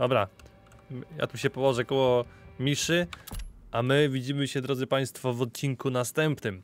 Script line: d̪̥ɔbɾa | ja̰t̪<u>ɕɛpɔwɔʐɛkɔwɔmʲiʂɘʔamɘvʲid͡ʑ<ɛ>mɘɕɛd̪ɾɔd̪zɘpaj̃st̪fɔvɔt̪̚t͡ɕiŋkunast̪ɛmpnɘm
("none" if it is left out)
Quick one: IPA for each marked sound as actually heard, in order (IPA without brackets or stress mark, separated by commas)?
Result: u, i